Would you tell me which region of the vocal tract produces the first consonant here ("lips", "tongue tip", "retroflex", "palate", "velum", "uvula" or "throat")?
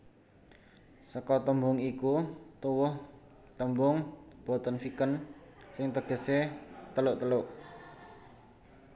tongue tip